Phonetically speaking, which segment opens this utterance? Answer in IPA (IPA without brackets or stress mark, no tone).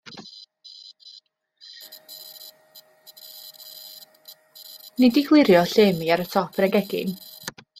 n